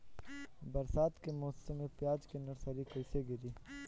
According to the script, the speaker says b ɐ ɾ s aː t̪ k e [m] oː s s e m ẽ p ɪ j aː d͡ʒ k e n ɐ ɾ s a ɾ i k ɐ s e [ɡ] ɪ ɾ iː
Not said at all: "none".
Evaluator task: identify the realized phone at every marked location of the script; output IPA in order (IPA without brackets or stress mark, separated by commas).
m, ɡ